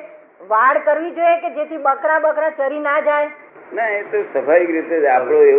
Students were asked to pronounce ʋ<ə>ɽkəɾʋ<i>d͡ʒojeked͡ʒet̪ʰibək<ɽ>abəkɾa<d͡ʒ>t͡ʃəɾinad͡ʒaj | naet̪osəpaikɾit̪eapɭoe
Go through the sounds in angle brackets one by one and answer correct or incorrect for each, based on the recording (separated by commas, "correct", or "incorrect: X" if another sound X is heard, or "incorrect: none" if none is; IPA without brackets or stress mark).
incorrect: a, correct, incorrect: ɾ, incorrect: none